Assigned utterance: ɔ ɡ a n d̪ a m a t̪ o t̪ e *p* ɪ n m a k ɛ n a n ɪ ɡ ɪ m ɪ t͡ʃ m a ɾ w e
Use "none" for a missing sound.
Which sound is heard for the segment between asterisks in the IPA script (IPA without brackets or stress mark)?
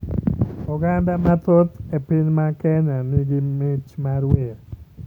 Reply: p